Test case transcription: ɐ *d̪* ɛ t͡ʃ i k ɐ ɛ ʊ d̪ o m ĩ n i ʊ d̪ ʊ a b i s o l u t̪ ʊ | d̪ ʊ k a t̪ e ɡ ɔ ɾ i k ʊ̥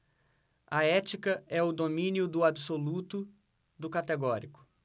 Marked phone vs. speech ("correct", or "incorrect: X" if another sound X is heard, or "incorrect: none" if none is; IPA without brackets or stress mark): incorrect: none